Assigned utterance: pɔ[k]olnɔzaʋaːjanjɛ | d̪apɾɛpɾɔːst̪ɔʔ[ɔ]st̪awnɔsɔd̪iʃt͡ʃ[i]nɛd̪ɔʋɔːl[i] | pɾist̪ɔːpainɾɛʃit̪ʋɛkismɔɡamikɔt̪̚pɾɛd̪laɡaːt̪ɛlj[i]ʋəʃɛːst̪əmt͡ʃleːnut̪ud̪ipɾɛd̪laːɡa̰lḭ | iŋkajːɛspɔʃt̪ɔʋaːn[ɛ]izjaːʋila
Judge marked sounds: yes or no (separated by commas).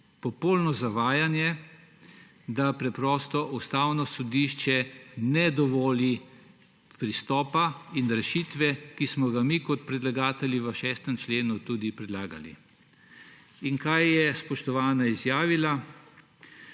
no, no, no, yes, yes, no